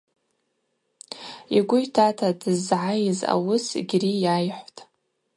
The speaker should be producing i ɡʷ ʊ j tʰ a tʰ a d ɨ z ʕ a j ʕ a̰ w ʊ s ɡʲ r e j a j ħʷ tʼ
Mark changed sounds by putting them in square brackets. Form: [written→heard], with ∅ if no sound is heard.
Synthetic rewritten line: i ɡʷ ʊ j tʰ a tʰ a d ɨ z ʕ a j [ʕ→z] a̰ w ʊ s ɡʲ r [e→i] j a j ħʷ tʼ